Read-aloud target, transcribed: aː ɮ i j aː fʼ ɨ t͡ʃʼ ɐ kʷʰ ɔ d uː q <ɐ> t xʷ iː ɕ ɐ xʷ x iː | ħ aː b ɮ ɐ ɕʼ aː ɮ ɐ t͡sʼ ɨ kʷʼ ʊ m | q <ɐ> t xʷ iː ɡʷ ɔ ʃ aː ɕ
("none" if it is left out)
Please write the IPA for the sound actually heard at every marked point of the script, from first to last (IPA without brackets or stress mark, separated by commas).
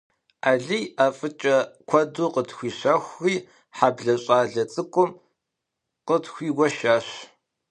ə, ə